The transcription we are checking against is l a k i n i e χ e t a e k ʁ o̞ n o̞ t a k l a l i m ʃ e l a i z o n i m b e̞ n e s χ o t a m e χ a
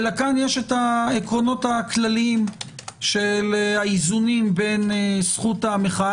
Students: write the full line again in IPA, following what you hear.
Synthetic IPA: l a k a n j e ʃ e t a e k ʁ o̞ n o̞ t a k l a l i m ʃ e l a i z u n i m b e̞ n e s χ u t a m e χ a